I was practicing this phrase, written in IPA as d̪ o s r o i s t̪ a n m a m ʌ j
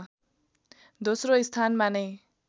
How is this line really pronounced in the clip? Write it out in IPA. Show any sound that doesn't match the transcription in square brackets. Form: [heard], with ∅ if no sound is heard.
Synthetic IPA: d̪ o s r o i s [t̪ʰ] a n m a [n] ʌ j